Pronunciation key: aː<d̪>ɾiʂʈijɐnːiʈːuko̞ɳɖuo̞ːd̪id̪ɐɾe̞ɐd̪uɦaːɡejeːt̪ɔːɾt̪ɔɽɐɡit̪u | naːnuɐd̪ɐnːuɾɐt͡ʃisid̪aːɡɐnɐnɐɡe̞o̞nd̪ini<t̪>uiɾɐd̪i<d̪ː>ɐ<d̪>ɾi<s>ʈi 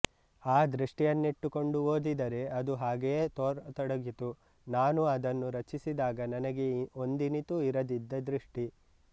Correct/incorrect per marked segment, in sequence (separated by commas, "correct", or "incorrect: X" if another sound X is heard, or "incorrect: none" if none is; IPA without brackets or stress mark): correct, correct, correct, correct, incorrect: ʂ